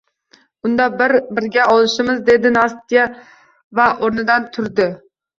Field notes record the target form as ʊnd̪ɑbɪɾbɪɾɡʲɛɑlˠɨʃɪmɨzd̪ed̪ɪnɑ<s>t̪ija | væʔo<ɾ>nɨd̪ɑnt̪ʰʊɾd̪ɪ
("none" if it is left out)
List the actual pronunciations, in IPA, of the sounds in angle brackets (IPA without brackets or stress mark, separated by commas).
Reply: s, ɾ